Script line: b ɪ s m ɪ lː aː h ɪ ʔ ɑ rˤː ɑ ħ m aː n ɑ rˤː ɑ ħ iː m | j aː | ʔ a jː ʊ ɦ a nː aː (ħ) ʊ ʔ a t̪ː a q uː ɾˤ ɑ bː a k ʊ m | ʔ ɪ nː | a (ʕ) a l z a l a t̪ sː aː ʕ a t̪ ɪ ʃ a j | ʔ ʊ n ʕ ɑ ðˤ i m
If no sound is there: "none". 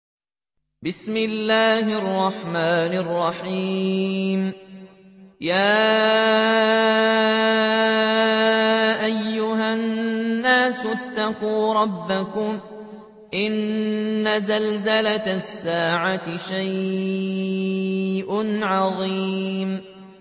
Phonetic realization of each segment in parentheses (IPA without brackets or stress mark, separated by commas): s, z